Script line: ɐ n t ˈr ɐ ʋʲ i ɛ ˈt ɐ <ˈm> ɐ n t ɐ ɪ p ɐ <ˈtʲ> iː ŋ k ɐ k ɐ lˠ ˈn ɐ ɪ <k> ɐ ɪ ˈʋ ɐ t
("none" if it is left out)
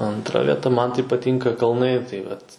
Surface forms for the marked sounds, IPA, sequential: m, tʲ, t

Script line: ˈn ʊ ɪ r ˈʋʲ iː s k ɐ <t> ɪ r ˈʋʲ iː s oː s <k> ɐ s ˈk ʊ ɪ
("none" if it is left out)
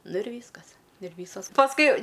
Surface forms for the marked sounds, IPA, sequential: s, p

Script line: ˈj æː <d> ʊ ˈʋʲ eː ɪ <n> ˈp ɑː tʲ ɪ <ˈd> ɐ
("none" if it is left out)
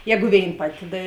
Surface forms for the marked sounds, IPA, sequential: ɡ, n, d

